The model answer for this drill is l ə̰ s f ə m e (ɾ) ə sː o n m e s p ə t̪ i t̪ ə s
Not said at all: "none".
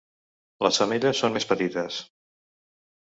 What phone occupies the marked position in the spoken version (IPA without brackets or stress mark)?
ʎ